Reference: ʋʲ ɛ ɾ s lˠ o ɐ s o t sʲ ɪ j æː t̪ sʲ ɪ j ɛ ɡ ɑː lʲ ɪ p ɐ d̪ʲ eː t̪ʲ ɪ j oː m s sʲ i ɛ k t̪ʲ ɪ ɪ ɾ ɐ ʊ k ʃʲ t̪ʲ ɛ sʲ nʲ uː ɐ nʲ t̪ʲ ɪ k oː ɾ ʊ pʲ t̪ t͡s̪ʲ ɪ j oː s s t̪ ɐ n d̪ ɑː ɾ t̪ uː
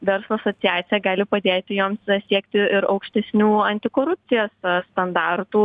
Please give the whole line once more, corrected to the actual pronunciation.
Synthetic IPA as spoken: ʋʲ ɛ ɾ s lˠ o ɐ s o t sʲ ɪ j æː t̪ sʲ ɪ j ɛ ɡ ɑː lʲ ɪ p ɐ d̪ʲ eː t̪ʲ ɪ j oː m s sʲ i ɛ k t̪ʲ ɪ ɪ ɾ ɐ ʊ k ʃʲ t̪ʲ ɛ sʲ nʲ uː ɐ nʲ t̪ʲ ɪ k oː ɾ ʊ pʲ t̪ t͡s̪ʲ ɪ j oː s s t̪ ɐ n d̪ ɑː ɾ t̪ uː

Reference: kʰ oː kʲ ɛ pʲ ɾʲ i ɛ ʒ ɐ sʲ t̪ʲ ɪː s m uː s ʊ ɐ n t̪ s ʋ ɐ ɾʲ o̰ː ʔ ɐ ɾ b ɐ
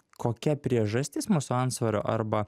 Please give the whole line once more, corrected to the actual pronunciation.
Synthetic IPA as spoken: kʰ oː kʲ ɛ pʲ ɾʲ i ɛ ʒ ɐ sʲ t̪ʲ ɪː s m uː s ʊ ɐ n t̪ s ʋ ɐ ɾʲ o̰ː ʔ ɐ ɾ b ɐ

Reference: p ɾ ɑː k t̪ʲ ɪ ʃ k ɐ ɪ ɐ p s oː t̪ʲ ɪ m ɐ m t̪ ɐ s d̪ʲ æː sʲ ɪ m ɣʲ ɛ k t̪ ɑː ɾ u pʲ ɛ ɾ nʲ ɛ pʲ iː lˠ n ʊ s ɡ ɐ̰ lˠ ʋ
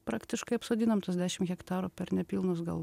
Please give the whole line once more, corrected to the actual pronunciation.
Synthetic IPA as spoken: p ɾ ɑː k t̪ʲ ɪ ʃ k ɐ ɪ ɐ p s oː d̪ʲ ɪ n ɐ m t̪ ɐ s d̪ʲ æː ʃʲ ɪ m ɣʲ ɛ k t̪ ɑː ɾ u pʲ ɛ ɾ nʲ ɛ pʲ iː lˠ n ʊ s ɡ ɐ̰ lˠ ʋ

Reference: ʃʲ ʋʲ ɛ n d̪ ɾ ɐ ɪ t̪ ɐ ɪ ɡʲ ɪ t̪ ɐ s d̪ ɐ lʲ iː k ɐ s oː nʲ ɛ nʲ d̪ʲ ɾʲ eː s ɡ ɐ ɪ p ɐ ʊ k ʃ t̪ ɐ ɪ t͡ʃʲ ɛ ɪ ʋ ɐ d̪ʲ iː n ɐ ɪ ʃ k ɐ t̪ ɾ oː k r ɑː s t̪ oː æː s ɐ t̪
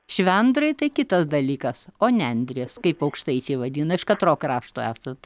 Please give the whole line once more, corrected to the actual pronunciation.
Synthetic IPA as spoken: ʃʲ ʋʲ ɛ n d̪ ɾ ɐ ɪ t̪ ɐ ɪ kʲ ɪ t̪ ɐ s d̪ ɐ lʲ iː k ɐ s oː nʲ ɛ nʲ d̪ʲ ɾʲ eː s k ɐ ɪ p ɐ ʊ k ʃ t̪ ɐ ɪ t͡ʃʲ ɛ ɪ ʋ ɐ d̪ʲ iː n ɐ ɪ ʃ k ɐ t̪ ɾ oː k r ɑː ʃ t̪ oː æː s ɐ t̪

